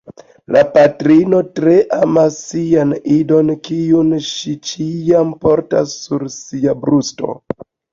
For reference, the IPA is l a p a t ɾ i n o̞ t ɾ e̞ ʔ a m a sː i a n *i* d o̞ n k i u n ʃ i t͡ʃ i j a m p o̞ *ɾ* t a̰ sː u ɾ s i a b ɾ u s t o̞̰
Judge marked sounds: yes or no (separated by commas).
yes, yes